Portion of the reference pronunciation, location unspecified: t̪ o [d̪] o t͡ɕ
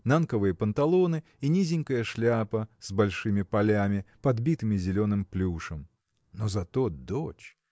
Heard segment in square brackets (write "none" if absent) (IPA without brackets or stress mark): d̪